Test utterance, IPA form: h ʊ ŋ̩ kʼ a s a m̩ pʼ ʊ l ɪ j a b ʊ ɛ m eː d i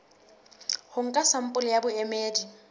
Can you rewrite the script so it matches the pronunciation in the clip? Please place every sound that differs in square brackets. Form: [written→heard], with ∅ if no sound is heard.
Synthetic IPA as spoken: h ʊ ŋ̩ kʼ a s a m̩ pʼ ʊ l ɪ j a b ʊ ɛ m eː d i